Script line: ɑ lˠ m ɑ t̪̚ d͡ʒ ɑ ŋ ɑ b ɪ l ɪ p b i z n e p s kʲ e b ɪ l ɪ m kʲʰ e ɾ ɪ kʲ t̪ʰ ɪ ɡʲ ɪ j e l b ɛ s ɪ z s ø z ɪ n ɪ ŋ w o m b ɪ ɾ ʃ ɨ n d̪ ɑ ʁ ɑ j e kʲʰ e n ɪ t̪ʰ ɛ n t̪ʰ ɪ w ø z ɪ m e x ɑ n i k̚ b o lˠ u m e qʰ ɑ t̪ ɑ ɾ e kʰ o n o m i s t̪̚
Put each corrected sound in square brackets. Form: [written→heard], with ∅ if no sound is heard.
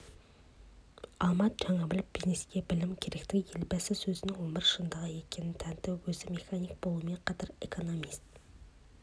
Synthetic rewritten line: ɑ lˠ m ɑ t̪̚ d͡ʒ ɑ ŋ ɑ b ɪ l ɪ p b i z n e [p→∅] s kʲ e b ɪ l ɪ m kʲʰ e ɾ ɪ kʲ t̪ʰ ɪ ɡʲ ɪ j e l b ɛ s ɪ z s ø z ɪ n ɪ ŋ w o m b ɪ ɾ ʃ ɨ n d̪ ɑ ʁ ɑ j e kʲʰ e n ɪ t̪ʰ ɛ n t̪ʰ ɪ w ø z ɪ m e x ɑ n i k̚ b o lˠ u m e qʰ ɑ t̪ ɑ ɾ e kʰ o n o m i s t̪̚